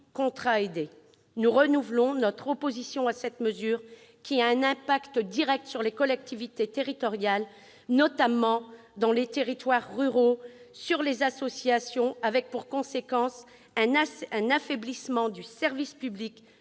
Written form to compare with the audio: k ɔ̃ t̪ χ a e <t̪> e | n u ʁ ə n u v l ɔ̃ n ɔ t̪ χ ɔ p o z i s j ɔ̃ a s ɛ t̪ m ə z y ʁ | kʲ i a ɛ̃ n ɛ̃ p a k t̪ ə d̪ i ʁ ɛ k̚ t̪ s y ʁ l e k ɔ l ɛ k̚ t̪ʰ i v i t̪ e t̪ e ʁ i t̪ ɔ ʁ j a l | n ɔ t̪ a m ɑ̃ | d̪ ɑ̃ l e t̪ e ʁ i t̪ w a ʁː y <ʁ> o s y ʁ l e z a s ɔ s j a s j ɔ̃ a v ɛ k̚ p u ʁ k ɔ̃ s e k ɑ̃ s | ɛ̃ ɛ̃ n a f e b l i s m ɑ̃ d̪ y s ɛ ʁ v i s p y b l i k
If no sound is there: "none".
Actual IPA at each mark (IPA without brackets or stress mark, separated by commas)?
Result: d̪, ʁ